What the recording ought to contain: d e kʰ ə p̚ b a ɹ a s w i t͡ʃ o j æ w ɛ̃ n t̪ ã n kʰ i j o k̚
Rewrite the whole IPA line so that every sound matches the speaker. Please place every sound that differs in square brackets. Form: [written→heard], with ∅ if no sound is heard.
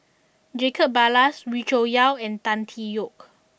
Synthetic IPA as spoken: [d→d͡ʒ] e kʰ ə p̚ b a [ɹ→l] a s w i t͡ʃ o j [æ→a] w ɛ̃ n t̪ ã n [kʰ→tʰ] i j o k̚